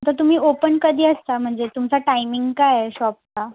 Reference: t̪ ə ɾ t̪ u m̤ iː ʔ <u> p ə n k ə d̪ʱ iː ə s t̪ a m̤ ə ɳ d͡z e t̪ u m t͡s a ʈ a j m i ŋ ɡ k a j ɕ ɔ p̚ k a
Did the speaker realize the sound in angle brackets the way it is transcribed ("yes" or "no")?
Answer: no